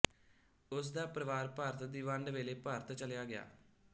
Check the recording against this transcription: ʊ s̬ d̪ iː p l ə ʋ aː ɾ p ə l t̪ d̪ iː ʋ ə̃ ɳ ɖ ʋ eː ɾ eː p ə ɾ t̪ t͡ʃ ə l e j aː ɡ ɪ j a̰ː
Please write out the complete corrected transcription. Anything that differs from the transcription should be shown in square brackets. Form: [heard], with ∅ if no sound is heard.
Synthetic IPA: ʊ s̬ d̪ [aː] p [ɾ] ə ʋ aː ɾ p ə [ɾ] t̪ d̪ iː ʋ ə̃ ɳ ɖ ʋ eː [l] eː p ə ɾ t̪ t͡ʃ ə l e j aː ɡ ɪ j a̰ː